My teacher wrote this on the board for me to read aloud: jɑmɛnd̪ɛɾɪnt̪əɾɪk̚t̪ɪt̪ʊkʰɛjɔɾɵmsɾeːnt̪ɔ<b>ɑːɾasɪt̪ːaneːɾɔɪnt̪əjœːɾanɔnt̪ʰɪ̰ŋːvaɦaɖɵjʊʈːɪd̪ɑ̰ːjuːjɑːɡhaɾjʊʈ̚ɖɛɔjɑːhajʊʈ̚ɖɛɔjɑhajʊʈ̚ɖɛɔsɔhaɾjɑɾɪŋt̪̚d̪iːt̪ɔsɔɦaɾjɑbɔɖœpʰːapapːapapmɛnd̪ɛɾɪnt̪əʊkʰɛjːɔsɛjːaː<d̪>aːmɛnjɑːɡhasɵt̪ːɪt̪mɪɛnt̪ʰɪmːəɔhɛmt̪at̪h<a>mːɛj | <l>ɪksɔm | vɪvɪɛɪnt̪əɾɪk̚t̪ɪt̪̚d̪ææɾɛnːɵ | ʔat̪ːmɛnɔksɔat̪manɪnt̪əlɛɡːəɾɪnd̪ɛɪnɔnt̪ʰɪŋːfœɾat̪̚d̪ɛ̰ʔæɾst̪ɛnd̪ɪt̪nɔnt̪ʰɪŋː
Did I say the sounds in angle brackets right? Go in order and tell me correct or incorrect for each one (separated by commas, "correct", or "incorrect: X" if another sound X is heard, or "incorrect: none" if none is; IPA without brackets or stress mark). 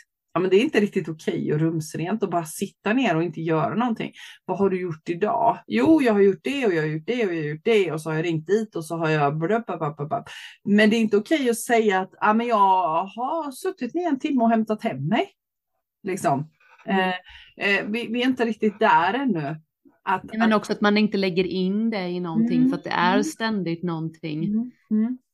correct, incorrect: t̪, incorrect: ɛ, correct